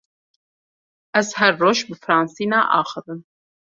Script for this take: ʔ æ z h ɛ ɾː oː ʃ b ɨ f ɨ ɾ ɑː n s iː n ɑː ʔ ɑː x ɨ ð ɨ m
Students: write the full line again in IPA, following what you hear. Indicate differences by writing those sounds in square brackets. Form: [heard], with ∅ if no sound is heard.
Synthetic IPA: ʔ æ z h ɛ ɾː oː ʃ b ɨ f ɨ ɾ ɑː n s iː n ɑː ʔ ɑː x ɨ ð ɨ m